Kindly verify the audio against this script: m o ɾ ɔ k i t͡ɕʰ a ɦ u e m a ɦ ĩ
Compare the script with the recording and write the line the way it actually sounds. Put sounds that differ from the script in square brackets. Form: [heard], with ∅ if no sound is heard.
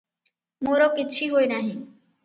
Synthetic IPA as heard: m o ɾ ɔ k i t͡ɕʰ [i] ɦ [o] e [n] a ɦ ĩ

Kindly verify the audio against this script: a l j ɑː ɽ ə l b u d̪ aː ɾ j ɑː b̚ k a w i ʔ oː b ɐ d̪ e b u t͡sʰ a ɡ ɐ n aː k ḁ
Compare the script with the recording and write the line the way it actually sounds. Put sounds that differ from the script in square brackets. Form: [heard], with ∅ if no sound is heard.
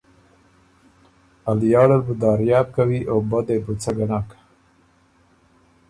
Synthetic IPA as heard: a l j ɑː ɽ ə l b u d̪ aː ɾ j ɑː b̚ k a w i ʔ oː b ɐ d̪ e b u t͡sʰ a ɡ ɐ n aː k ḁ

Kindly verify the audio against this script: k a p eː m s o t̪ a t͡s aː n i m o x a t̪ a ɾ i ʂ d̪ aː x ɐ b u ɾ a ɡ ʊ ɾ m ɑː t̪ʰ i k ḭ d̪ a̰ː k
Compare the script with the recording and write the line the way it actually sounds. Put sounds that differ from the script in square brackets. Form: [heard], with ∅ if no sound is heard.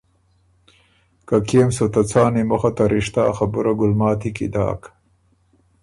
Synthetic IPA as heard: k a [k] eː m s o t̪ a t͡s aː n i m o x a t̪ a ɾ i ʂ [t̪] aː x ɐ b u ɾ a ɡ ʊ [l] m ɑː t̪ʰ i k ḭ d̪ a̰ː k

